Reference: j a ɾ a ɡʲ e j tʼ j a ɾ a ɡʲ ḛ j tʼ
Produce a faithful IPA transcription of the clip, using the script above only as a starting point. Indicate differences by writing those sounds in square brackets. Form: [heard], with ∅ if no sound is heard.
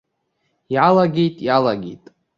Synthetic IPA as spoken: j a [l] a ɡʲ e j tʼ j a [l] a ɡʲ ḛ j tʼ